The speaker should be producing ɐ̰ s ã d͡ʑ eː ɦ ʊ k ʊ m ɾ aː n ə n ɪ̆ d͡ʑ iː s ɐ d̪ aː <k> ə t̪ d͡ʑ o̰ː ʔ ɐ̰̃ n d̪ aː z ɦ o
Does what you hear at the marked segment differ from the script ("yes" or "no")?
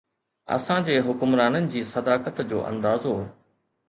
no